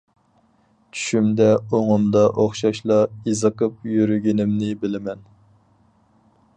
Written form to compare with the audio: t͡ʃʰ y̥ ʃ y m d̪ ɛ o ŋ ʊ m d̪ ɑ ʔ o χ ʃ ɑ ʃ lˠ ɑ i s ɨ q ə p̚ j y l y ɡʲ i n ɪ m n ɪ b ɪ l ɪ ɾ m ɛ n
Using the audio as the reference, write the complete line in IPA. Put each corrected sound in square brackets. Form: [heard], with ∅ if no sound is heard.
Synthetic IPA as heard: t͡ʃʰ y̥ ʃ y m d̪ ɛ o ŋ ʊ m d̪ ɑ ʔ o χ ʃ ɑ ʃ lˠ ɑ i [z] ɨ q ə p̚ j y [ɾ] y ɡʲ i n ɪ m n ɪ b ɪ l ɪ [∅] m ɛ n